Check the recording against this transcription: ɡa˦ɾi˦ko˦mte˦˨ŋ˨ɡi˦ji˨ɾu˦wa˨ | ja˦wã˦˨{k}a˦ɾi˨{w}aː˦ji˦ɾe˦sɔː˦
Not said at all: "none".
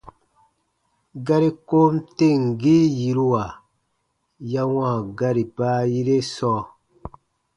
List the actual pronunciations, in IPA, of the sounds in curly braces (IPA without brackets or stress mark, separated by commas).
ɡ, b